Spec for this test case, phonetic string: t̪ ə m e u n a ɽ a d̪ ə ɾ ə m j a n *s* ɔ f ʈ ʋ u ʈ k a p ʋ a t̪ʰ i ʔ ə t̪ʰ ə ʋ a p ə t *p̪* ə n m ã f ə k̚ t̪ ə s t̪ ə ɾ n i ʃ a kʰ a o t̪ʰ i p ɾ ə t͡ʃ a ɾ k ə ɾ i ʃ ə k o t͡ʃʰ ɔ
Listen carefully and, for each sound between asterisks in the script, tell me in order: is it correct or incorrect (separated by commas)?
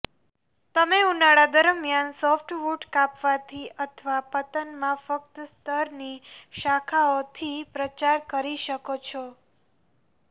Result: correct, correct